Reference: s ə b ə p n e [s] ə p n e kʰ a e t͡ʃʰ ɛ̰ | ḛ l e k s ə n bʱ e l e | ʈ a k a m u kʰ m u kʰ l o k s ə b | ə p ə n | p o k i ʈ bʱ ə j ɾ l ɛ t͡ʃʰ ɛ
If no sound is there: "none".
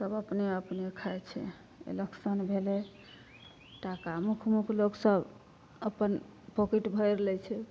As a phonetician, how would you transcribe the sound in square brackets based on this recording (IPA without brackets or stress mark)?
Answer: none